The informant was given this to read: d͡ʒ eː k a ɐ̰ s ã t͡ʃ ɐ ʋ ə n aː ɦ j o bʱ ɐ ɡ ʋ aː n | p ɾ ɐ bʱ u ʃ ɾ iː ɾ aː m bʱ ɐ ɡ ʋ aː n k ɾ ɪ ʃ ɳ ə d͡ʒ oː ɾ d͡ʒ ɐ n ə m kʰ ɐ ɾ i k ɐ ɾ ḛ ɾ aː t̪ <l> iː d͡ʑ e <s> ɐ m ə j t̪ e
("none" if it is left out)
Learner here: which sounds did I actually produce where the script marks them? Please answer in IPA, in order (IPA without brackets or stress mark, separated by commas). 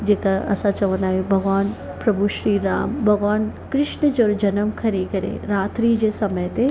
ɾ, s